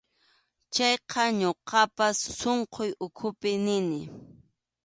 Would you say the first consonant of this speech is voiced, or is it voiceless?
voiceless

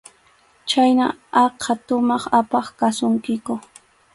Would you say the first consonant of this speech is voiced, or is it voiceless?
voiceless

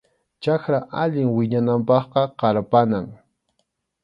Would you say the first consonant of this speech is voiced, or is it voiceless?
voiceless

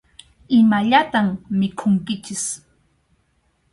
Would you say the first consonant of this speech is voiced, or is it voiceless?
voiced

